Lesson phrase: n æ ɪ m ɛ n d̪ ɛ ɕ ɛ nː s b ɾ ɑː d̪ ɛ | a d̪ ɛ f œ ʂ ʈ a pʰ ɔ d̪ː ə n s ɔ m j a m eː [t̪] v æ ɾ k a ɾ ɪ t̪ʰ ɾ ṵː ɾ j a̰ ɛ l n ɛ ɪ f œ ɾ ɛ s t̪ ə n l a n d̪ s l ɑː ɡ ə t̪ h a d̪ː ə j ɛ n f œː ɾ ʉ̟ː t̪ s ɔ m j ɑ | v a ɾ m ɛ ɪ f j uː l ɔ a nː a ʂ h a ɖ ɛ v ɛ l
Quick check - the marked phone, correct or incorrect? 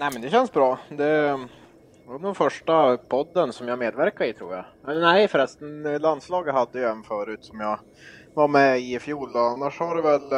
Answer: incorrect